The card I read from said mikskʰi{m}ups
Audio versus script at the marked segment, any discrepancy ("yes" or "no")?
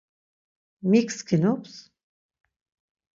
yes